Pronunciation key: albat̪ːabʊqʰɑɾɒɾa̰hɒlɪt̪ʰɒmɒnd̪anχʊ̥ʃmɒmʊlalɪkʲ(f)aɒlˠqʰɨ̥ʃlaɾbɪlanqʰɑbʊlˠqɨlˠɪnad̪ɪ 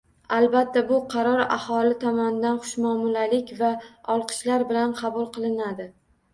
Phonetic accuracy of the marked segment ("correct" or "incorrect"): incorrect